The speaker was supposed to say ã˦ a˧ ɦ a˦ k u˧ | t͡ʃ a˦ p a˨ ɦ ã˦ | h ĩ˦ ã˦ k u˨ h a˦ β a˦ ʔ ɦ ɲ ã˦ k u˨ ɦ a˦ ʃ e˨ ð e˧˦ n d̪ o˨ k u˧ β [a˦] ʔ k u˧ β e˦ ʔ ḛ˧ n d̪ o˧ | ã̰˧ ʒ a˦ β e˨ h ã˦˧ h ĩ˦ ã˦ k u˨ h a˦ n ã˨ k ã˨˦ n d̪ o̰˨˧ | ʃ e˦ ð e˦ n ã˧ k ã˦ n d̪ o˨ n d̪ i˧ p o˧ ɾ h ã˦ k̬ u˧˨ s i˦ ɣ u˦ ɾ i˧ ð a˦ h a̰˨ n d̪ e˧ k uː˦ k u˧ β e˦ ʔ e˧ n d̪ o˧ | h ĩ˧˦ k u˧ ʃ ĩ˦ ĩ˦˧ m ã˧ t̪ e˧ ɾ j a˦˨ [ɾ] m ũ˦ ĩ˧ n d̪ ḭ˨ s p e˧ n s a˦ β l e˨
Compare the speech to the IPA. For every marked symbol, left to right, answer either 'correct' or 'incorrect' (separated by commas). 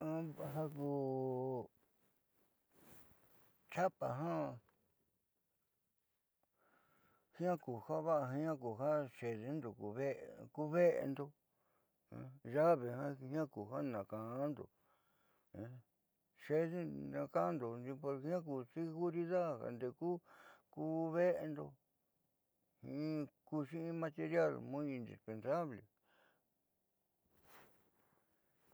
incorrect, incorrect